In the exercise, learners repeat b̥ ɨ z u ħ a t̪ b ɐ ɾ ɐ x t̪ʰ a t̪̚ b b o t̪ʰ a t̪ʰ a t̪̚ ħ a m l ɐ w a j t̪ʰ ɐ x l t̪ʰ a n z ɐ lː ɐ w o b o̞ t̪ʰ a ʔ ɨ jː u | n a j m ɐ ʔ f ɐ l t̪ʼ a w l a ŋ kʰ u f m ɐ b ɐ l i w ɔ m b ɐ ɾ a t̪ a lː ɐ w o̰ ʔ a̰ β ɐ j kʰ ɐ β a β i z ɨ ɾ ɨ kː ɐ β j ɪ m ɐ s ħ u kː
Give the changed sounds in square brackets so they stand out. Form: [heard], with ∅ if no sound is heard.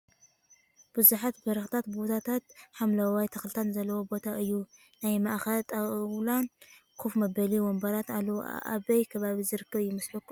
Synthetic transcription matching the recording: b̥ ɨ z u ħ a t̪ b ɐ ɾ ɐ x t̪ʰ a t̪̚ b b o t̪ʰ a t̪ʰ a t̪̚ ħ a m l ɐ w a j t̪ʰ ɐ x l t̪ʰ a n z ɐ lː ɐ w o b o̞ t̪ʰ a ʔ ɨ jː u | n a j m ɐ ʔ [x] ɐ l t̪ʼ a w l a [n] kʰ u f m ɐ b ɐ l i w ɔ m b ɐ ɾ a t̪ a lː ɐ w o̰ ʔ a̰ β ɐ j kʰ ɐ β a β i z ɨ ɾ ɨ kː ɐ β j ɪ m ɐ s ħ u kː